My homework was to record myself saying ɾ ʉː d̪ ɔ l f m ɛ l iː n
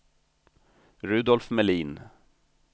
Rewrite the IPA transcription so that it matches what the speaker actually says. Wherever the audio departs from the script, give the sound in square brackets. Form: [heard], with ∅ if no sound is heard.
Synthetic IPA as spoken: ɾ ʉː d̪ ɔ l f m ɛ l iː n